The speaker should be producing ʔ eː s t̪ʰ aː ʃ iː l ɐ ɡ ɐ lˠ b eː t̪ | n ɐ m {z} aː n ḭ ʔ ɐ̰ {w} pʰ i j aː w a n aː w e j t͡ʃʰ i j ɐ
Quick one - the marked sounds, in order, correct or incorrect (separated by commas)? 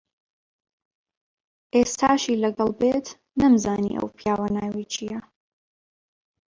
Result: correct, correct